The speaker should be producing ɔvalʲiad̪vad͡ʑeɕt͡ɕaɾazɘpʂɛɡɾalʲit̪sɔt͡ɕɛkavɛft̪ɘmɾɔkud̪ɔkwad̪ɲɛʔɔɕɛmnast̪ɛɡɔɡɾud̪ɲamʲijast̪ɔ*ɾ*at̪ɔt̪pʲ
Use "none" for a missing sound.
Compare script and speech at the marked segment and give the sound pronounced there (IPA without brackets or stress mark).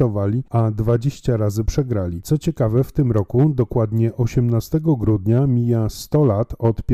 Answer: l